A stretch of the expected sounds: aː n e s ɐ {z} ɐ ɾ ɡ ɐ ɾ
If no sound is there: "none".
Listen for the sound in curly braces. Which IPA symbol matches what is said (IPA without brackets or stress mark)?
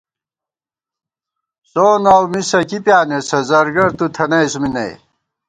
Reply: z